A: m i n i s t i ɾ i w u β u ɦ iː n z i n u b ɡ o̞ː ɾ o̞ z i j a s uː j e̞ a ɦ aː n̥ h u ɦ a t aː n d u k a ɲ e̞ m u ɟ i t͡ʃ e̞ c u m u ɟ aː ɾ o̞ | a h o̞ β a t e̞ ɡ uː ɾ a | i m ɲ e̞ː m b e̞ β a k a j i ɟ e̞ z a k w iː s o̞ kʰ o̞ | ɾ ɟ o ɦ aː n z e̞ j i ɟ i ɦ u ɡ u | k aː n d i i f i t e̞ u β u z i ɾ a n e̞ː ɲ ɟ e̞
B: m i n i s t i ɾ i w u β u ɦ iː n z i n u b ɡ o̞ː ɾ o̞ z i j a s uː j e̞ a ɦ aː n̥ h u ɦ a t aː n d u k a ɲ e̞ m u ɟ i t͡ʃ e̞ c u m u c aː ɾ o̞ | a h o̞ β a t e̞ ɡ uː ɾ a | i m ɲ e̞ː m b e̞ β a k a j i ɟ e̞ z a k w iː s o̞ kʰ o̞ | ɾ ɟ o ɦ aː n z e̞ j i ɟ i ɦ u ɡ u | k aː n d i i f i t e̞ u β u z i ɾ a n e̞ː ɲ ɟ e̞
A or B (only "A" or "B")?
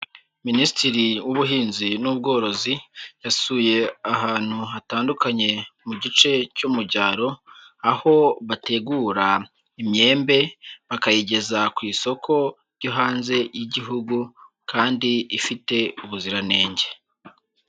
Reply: A